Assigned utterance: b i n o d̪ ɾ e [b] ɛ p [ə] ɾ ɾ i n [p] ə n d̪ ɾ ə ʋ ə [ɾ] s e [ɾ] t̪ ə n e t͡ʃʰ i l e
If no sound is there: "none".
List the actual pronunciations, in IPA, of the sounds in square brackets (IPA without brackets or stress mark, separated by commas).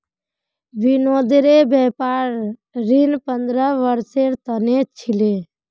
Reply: b, a, p, ɾ, ɾ